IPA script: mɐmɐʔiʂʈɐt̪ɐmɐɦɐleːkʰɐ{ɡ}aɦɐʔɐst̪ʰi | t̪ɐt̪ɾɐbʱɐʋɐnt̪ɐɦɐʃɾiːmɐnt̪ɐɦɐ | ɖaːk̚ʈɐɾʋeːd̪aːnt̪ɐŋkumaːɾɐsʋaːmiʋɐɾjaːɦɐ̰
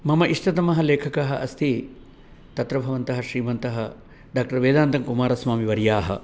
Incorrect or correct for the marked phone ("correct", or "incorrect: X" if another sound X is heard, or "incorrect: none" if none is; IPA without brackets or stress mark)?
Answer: incorrect: k